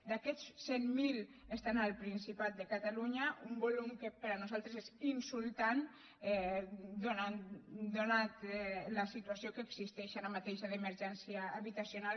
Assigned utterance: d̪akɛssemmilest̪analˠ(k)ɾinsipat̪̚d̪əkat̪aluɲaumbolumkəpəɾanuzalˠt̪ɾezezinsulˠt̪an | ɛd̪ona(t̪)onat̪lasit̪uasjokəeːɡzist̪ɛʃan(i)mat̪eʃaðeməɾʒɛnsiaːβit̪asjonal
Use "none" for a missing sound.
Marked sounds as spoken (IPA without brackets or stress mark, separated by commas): p, d̪, a